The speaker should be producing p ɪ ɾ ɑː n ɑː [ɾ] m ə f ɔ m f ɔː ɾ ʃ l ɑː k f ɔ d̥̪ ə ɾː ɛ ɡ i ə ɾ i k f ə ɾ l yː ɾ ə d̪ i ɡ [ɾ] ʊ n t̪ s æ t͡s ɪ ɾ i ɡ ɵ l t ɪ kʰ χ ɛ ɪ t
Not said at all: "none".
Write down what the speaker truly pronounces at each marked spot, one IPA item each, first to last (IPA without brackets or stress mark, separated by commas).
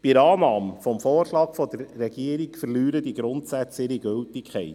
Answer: none, ɾ